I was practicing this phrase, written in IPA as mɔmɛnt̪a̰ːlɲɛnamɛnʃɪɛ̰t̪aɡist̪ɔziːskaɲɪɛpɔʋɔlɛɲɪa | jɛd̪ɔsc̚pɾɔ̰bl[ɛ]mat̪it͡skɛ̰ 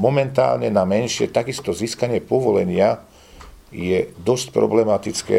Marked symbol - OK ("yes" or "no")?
yes